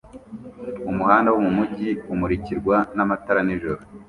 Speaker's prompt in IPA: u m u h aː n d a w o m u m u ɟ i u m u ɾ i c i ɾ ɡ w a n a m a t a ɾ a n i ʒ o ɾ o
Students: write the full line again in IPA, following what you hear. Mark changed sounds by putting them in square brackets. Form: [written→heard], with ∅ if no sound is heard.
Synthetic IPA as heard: u m u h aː n d a w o m u m u ɟ i u m u ɾ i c i ɾ ɡ w a n a m a t a ɾ a n i ʒ o ɾ o